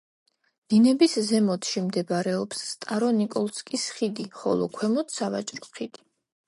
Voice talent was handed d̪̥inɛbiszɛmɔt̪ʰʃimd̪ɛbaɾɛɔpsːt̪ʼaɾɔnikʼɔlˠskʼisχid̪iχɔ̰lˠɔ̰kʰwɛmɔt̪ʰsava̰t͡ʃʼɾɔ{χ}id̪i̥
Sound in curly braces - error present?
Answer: no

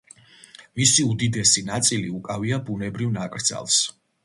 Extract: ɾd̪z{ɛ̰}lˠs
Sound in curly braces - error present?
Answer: yes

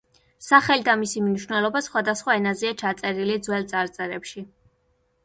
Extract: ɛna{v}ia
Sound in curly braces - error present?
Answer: yes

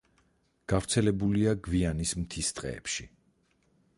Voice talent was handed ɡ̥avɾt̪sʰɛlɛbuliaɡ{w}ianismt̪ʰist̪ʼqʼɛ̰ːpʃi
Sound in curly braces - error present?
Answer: yes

